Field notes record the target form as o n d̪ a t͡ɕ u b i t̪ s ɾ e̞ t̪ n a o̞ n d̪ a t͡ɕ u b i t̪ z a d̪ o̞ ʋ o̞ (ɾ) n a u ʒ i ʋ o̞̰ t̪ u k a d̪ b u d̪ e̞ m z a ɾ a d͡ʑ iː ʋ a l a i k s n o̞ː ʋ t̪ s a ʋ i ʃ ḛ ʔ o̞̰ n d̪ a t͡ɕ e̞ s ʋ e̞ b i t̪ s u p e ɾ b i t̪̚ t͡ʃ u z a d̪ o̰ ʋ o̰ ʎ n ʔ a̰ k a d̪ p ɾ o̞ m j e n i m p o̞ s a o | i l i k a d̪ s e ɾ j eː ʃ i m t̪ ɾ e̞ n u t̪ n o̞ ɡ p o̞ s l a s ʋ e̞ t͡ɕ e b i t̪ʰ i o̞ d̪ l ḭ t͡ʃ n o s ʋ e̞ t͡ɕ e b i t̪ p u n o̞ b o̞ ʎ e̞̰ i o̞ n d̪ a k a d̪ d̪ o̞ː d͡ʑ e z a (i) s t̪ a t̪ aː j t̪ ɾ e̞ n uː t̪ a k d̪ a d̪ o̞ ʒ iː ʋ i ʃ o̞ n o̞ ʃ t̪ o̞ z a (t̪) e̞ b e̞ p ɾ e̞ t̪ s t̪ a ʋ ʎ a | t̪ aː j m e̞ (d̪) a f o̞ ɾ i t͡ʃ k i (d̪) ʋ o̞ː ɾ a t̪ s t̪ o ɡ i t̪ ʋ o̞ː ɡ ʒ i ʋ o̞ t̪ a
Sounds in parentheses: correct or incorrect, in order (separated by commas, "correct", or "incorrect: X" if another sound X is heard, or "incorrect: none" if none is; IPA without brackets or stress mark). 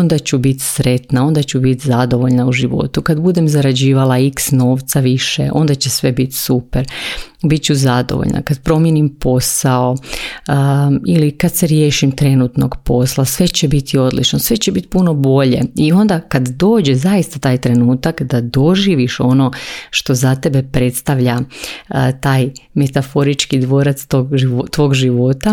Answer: incorrect: ʎ, correct, correct, incorrect: t̪, correct